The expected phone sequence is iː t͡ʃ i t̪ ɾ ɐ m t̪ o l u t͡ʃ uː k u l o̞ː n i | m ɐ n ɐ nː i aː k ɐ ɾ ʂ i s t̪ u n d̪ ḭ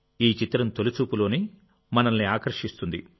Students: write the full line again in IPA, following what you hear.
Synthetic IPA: iː t͡ʃ i t̪ ɾ ɐ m t̪ o l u t͡ʃ uː p u l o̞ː n i | m ɐ n ɐ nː i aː k ɐ ɾ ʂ i s t̪ u n d̪ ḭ